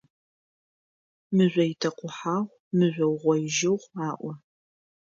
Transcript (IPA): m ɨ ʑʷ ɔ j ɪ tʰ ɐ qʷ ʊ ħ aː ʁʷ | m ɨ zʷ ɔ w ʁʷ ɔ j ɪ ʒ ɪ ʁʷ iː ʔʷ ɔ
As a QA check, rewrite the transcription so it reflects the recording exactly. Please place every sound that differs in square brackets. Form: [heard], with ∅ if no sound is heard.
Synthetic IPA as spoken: m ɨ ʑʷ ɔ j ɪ tʰ ɐ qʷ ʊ ħ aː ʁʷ | m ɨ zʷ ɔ w ʁʷ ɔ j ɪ ʒ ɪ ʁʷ [aː] ʔʷ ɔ